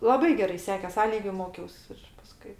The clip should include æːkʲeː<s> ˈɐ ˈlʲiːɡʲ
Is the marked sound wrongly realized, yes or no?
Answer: no